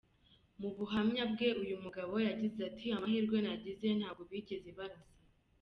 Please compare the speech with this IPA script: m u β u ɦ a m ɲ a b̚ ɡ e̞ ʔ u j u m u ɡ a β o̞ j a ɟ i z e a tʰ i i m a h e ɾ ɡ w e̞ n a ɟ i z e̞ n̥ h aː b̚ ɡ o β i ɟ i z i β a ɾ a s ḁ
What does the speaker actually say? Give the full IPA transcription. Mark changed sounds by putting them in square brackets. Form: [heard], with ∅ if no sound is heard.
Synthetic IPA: m u β u ɦ a m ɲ a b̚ ɡ e̞ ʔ u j u m u ɡ a β o̞ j a ɟ i z e a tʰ i [a] m a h [i] ɾ ɡ w e̞ n a ɟ i z e̞ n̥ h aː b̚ ɡ o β i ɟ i z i β a ɾ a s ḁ